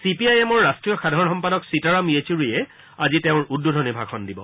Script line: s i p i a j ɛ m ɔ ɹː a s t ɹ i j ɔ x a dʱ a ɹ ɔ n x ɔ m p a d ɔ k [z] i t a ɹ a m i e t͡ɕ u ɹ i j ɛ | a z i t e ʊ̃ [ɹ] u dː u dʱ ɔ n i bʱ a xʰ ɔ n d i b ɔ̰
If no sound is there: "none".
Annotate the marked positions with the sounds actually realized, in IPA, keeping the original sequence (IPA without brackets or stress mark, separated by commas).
s, ɹ